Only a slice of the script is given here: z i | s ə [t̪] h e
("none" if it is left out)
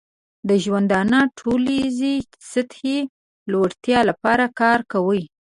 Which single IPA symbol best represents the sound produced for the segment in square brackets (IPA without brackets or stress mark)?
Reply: t̪